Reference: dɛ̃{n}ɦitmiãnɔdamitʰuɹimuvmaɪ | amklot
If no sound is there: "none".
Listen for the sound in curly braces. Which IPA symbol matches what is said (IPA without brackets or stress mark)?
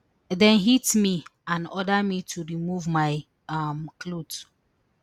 n